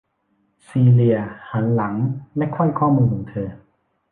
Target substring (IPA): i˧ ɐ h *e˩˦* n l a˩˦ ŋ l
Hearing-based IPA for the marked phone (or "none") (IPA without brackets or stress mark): a˩˦